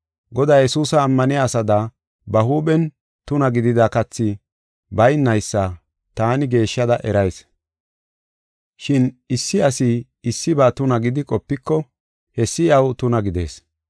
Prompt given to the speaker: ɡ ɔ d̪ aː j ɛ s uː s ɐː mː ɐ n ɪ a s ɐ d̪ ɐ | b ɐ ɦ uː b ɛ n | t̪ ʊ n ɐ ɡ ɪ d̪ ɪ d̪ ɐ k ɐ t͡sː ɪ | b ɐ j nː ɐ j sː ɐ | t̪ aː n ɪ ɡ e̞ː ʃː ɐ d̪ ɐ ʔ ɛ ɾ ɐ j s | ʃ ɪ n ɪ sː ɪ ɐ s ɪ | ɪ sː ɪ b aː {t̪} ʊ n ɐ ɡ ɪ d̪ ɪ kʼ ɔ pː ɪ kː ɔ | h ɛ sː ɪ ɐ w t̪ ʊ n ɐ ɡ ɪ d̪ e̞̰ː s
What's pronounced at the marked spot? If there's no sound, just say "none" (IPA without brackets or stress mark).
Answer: t̪